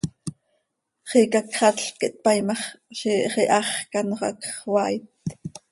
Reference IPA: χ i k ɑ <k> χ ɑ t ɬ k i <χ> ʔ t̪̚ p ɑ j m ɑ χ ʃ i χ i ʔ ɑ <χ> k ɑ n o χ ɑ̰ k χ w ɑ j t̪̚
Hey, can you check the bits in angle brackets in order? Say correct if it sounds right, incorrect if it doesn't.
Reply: correct, incorrect: none, correct

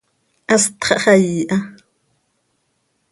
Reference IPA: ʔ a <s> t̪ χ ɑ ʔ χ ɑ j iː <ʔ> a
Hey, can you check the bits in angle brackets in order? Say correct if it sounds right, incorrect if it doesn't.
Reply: correct, correct

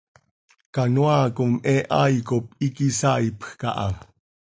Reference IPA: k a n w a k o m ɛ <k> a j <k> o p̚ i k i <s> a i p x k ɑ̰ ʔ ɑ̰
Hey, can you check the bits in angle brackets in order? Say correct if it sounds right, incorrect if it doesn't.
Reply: incorrect: ʔ, correct, correct

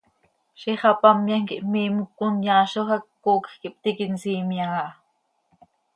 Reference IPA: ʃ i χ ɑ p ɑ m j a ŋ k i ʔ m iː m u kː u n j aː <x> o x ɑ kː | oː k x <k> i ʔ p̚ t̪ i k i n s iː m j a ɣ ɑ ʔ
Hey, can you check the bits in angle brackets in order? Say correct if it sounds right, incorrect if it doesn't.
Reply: incorrect: ʃ, correct

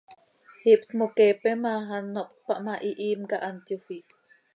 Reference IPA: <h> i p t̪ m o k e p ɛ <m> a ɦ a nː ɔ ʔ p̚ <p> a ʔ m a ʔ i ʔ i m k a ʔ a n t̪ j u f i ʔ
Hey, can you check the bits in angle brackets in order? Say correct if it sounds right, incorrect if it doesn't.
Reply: correct, correct, correct

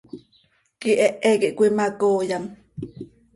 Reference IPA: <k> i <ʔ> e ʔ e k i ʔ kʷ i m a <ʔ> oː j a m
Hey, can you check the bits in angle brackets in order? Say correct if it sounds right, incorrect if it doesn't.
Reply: correct, correct, incorrect: k

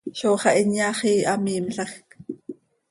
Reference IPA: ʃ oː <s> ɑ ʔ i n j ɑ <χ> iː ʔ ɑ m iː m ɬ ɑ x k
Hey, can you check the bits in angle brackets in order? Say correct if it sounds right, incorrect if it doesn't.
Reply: incorrect: χ, correct

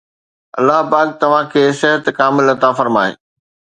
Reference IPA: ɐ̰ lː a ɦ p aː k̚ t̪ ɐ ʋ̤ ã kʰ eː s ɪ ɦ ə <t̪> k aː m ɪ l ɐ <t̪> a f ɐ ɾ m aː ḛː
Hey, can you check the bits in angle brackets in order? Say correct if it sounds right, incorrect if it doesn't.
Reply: correct, correct

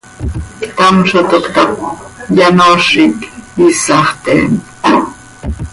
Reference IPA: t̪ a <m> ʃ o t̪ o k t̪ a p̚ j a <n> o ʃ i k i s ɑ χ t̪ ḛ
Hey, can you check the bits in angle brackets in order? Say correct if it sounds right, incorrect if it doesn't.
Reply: correct, correct

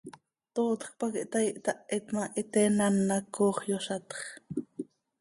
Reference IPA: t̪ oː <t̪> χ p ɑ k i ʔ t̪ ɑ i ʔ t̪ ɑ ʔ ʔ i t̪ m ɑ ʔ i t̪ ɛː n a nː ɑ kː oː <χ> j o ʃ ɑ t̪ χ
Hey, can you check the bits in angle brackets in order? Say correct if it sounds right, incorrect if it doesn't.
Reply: correct, correct

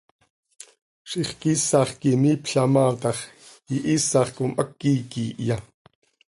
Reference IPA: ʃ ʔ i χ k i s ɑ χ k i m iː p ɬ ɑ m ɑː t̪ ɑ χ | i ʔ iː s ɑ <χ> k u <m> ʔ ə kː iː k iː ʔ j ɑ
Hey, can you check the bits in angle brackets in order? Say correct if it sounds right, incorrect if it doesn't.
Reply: correct, correct

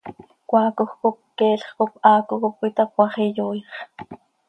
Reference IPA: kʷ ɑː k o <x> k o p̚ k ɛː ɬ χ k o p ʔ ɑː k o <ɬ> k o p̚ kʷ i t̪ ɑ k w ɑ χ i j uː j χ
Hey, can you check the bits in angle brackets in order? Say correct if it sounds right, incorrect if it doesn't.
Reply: correct, incorrect: none

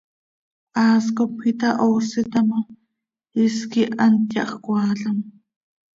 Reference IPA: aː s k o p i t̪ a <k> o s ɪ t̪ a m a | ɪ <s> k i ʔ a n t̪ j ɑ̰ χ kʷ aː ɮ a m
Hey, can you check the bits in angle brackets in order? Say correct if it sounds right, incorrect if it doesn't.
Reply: incorrect: ʔ, correct

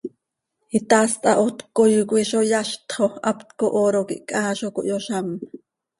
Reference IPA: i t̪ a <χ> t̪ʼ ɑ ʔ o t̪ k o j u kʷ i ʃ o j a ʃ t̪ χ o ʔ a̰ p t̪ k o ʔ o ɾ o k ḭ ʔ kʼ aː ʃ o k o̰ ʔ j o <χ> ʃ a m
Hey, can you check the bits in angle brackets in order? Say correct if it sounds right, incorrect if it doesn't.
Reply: incorrect: s, incorrect: none

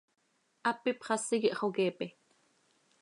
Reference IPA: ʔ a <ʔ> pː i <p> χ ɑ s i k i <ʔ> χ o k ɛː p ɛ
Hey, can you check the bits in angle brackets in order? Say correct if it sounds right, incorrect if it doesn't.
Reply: incorrect: none, correct, correct

